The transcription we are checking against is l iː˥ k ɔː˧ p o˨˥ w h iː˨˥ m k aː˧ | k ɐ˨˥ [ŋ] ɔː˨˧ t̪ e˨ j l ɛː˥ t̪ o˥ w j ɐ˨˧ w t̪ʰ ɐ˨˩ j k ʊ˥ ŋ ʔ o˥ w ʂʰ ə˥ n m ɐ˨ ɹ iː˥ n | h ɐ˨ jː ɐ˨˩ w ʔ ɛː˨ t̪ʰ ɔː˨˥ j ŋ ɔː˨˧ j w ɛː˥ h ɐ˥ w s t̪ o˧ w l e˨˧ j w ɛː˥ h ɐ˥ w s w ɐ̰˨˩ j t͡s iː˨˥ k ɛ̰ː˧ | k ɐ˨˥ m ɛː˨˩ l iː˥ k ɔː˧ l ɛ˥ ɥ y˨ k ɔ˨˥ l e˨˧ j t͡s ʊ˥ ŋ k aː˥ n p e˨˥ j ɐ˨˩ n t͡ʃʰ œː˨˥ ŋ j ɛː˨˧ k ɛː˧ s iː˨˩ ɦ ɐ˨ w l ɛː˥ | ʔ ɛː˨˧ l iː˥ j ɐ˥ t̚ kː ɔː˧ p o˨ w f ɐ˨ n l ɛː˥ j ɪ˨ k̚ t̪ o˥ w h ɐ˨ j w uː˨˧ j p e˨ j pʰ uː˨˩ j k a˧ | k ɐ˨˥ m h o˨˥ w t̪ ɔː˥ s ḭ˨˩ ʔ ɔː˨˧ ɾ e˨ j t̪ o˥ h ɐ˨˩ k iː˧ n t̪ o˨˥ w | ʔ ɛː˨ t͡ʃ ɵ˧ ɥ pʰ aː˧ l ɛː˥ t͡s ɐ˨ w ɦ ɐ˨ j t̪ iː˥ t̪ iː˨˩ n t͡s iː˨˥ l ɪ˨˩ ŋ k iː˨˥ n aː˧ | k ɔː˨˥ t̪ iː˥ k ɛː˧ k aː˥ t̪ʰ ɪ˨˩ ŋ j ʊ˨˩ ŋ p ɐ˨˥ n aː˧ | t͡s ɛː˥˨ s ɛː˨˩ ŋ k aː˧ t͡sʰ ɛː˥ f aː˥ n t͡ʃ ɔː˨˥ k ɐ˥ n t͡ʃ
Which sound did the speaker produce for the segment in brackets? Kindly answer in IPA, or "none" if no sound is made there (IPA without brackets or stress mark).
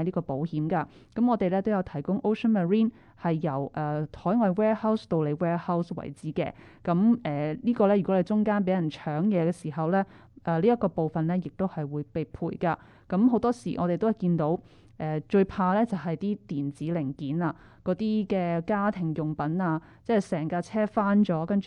m